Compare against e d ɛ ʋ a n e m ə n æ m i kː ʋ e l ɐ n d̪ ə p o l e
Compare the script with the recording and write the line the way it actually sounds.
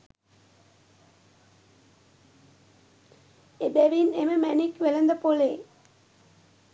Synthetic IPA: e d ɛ ʋ i n e m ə m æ n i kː ʋ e l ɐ n d̪ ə p o l e